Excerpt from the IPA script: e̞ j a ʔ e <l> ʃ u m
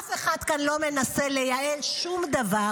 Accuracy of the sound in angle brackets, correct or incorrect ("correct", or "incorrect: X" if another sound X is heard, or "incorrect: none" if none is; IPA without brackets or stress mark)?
correct